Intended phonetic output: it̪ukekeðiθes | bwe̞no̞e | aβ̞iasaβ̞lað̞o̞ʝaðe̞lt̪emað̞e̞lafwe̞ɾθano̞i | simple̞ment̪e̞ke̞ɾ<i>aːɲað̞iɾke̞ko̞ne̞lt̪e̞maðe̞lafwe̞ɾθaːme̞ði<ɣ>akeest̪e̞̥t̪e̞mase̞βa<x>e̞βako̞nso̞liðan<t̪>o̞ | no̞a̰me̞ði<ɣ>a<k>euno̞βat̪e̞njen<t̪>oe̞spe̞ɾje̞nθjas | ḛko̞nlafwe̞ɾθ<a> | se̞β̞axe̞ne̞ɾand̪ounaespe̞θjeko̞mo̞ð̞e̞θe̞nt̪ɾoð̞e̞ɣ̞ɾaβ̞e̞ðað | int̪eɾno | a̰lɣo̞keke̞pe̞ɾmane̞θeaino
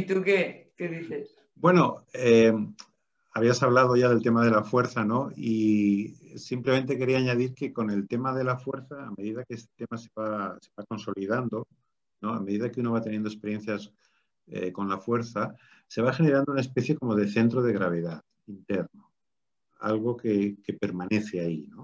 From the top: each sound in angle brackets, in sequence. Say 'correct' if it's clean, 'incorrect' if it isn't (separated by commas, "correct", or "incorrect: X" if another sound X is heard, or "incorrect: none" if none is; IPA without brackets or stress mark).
correct, incorrect: ð, incorrect: s, incorrect: d̪, incorrect: ð, correct, incorrect: d̪, correct